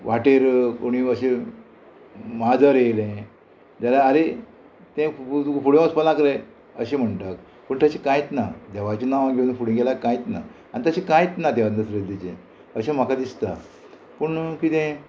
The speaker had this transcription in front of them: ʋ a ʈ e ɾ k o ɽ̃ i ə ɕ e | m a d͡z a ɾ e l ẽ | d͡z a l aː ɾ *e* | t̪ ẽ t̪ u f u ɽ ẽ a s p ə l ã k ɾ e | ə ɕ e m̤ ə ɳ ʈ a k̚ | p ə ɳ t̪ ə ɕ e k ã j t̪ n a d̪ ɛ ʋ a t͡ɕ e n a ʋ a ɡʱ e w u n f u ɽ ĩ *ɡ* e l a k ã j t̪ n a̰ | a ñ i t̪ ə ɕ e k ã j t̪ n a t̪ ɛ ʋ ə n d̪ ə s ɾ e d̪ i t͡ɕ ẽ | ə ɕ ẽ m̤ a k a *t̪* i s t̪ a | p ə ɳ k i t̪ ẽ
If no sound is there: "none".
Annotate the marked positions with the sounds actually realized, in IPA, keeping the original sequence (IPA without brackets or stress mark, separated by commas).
e, ɡ, d̪